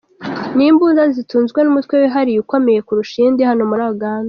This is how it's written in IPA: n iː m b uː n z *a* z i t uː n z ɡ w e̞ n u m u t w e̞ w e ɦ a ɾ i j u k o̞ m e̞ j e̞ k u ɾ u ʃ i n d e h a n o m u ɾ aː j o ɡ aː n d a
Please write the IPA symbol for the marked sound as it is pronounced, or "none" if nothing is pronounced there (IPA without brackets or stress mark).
a